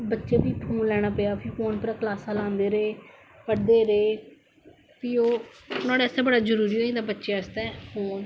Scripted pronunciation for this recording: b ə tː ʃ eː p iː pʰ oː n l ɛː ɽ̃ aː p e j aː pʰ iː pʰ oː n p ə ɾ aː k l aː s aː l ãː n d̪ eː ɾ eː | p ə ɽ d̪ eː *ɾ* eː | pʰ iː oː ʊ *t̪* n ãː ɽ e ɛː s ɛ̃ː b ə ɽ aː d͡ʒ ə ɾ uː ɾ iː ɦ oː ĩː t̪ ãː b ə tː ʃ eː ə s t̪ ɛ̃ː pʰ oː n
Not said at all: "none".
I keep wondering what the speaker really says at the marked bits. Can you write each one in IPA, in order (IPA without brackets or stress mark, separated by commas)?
ɾ, none